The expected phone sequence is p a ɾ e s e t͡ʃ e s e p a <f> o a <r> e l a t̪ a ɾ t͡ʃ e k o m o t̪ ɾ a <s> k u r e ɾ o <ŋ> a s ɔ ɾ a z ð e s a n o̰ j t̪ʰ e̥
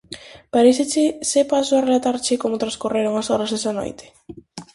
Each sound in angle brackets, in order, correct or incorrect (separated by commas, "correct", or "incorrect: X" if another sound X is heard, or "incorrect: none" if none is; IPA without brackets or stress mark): incorrect: s, correct, correct, correct